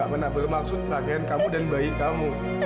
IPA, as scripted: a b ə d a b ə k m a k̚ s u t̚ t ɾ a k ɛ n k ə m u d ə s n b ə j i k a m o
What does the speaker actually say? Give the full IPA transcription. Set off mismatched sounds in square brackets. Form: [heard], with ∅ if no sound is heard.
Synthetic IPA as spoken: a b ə [n] a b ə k m a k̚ s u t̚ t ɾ a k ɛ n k [a] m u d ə [∅] n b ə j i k a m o